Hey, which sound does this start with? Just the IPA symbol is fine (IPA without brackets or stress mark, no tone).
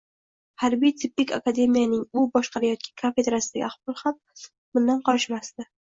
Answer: h